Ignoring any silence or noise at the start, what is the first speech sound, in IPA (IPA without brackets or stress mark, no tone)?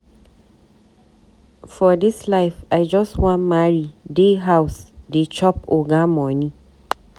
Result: f